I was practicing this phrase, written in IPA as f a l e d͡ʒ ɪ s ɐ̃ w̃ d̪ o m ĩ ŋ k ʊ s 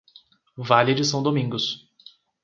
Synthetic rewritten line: v a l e d͡ʒ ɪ s ɐ̃ w̃ d̪ o m ĩ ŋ ɡ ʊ s